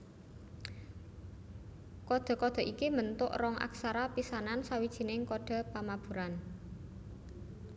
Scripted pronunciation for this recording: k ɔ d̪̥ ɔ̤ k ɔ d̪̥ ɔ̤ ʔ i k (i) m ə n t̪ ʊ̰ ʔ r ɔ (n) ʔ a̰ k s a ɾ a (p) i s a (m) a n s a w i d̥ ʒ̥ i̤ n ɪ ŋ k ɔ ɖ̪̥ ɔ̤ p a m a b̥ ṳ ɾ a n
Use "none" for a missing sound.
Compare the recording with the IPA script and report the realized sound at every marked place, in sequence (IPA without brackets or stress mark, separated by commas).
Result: i, ŋ, p, n